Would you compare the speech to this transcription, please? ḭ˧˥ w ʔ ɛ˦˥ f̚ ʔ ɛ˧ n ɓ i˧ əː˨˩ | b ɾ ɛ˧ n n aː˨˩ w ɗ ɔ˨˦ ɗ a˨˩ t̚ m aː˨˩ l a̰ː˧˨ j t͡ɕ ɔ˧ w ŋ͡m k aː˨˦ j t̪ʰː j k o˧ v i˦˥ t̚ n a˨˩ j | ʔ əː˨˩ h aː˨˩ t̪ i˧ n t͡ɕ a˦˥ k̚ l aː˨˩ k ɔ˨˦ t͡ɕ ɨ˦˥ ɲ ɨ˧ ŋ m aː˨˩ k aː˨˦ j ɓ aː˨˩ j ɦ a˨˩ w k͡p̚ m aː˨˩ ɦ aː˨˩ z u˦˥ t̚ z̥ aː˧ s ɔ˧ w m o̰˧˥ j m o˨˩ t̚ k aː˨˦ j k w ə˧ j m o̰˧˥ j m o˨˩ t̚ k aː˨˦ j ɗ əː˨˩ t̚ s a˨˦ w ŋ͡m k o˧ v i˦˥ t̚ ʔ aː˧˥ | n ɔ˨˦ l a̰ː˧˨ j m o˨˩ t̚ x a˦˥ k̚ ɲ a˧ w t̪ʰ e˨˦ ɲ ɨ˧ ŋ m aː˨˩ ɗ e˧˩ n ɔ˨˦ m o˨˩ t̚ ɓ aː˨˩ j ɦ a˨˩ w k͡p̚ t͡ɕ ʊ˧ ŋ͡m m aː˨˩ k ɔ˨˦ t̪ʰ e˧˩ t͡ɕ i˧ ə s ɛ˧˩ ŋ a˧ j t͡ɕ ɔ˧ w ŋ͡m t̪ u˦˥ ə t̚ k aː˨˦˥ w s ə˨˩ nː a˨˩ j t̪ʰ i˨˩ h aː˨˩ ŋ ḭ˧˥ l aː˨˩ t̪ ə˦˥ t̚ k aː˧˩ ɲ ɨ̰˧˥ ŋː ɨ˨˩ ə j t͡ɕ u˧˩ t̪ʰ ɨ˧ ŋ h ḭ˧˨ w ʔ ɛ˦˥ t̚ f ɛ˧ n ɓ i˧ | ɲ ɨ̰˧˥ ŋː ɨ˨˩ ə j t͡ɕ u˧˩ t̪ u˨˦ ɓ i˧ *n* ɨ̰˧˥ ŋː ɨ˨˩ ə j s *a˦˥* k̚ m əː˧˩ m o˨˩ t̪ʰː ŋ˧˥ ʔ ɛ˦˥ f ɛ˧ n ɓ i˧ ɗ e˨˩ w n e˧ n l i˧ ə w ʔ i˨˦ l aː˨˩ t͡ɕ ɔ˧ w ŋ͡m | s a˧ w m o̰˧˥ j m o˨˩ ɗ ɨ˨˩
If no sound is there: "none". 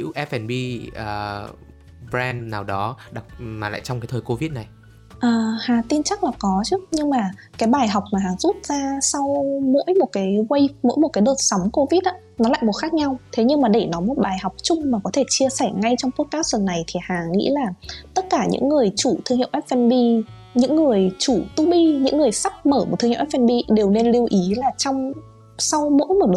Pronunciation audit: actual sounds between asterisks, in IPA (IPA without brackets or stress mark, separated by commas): ɲ, a˦˥